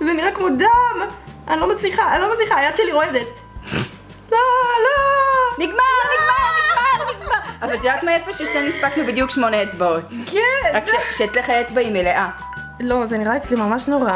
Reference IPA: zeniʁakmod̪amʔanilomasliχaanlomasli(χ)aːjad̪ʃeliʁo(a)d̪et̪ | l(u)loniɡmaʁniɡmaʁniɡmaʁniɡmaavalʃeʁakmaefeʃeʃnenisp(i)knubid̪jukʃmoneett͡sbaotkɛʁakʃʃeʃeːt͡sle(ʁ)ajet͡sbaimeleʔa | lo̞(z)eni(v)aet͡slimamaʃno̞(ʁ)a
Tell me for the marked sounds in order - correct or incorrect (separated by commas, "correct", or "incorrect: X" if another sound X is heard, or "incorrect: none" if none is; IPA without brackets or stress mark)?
correct, incorrect: e, incorrect: o, incorrect: a, incorrect: χ, correct, incorrect: ʁ, correct